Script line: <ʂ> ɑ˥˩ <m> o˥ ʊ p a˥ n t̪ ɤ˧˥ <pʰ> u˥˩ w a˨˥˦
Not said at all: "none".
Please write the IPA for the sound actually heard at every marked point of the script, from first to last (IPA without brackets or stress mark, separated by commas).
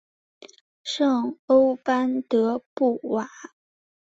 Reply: ʂ, ŋ, p